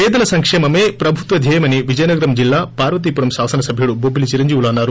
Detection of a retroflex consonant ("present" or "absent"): present